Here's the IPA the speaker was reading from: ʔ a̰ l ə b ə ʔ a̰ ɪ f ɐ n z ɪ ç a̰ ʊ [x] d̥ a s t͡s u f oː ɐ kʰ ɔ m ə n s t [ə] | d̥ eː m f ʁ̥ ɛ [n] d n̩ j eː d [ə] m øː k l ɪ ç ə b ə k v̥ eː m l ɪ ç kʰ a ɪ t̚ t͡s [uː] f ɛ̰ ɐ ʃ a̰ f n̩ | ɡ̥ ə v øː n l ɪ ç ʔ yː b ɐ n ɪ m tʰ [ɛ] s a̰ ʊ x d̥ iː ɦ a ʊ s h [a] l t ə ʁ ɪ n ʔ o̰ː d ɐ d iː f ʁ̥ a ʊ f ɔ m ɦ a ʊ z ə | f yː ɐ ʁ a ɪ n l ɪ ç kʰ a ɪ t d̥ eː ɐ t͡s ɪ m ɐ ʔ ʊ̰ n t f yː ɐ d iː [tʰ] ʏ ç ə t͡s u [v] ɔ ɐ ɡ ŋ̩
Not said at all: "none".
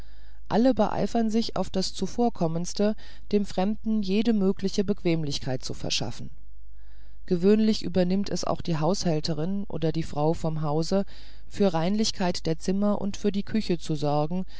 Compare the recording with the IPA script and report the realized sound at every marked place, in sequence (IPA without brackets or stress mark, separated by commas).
f, ə, m, ə, u, ɛ, ɛ, kʰ, z